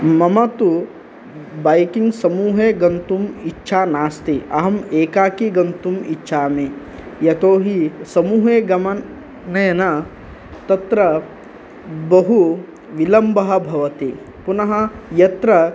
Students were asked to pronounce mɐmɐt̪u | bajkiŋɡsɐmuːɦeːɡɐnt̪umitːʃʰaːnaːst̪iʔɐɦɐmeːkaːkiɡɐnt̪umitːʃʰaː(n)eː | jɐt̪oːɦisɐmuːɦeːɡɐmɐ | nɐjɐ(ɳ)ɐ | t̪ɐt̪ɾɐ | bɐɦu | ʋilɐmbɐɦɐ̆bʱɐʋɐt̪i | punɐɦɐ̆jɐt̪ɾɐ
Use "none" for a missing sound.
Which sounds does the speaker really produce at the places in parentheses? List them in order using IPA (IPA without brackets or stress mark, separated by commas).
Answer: m, n